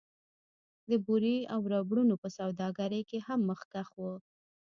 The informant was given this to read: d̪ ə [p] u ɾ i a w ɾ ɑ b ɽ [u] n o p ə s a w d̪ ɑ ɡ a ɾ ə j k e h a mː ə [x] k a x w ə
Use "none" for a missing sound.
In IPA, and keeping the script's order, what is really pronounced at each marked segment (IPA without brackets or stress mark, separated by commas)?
b, u, x